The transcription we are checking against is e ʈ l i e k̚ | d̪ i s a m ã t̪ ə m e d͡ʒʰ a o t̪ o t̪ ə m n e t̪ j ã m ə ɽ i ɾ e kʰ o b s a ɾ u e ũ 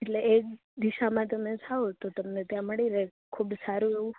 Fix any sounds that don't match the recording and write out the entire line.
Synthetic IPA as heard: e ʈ l e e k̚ | d̪ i ʃ a m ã t̪ ə m e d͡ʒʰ a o t̪ o t̪ ə m n e t̪ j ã m ə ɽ i ɾ e kʰ u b s a ɾ u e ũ